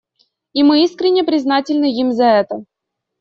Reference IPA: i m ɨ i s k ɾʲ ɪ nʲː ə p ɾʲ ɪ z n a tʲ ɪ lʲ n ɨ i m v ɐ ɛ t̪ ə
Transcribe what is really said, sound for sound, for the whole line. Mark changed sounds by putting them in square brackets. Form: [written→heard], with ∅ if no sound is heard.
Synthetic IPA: i m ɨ i s k ɾʲ ɪ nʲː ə p ɾʲ ɪ z n a tʲ ɪ lʲ n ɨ i m [v→z] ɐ ɛ t̪ ə